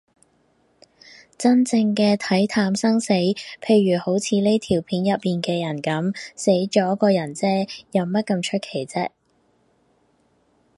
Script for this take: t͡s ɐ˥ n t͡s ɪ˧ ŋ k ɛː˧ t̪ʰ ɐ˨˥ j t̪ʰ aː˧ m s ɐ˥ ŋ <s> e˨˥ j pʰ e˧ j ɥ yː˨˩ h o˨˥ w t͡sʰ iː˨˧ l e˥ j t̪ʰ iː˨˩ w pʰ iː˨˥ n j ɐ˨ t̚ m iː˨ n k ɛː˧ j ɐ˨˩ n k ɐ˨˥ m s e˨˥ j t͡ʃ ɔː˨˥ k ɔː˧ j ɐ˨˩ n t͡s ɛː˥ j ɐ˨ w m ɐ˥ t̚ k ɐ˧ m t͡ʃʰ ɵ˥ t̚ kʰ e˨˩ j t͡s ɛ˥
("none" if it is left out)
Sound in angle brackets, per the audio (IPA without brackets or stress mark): s